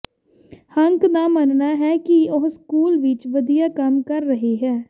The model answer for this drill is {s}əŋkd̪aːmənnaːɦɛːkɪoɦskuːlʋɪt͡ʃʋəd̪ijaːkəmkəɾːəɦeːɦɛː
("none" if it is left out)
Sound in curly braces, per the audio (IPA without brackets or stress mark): h